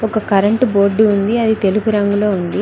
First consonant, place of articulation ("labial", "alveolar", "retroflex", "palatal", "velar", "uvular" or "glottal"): velar